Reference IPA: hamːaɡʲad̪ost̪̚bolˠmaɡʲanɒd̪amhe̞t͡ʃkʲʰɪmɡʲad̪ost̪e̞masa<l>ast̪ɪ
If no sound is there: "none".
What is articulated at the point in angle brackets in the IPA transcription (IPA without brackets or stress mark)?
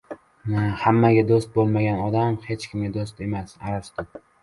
ɾ